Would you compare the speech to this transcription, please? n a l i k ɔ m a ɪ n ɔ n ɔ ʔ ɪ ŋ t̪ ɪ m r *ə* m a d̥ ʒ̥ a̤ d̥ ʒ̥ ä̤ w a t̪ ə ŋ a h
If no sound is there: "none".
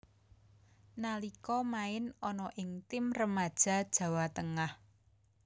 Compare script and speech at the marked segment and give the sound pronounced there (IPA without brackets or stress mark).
ə